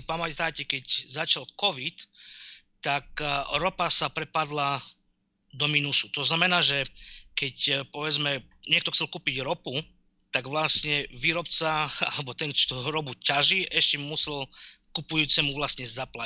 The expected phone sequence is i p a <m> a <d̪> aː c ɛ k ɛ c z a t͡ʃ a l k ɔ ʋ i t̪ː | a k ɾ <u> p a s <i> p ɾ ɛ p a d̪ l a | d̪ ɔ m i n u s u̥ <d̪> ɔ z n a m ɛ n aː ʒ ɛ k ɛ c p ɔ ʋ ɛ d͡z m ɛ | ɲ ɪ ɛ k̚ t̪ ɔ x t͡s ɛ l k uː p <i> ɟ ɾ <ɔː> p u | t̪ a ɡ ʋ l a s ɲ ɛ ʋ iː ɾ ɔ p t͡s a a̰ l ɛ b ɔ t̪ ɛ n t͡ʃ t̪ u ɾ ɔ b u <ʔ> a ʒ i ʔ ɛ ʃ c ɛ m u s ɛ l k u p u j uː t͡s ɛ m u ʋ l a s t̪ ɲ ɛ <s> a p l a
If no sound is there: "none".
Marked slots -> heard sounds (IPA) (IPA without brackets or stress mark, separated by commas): m, t̪, ɔ, a, t̪, i, ɔ, c, z